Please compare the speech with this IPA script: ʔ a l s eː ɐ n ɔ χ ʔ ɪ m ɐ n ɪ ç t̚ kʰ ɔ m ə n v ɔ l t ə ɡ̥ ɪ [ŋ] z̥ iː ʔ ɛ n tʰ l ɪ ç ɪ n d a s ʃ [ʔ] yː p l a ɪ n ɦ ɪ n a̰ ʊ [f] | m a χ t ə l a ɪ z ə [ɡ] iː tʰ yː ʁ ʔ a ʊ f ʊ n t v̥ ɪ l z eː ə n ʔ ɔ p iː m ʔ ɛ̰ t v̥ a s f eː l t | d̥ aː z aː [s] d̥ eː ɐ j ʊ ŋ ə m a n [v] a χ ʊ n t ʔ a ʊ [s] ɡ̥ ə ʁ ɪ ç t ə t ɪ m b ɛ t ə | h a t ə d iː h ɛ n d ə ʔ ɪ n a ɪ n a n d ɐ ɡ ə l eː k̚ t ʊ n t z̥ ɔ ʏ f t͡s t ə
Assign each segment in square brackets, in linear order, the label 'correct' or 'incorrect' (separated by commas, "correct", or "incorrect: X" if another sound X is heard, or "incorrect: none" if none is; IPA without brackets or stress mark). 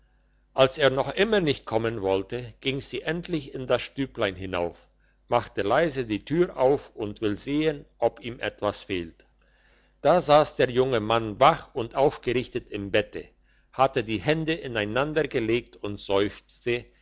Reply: correct, incorrect: t, correct, incorrect: d, correct, correct, incorrect: f